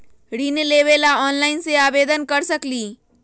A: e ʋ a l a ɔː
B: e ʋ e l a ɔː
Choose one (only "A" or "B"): B